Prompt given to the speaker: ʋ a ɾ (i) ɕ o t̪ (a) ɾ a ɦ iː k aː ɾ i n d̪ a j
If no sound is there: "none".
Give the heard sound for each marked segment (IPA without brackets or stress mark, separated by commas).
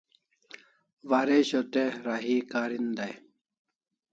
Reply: e, e